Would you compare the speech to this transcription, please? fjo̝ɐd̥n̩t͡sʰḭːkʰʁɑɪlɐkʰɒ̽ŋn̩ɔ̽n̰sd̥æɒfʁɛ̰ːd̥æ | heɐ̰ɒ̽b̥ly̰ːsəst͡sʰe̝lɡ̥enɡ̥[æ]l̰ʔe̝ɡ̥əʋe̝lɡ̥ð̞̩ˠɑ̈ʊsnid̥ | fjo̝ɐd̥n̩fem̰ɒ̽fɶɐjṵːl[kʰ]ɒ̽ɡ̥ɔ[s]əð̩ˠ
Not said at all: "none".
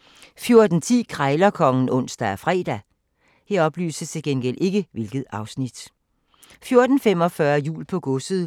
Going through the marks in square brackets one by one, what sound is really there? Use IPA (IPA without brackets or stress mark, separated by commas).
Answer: e, pʰ, s